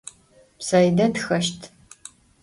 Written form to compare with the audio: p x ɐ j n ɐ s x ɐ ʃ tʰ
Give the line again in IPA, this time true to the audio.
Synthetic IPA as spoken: p s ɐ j d ɐ t x ɐ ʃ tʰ